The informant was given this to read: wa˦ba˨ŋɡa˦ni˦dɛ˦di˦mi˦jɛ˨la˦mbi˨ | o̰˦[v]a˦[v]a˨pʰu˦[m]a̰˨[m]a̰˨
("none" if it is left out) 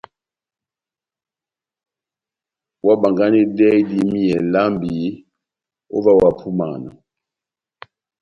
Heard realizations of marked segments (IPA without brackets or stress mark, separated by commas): v, w, m, n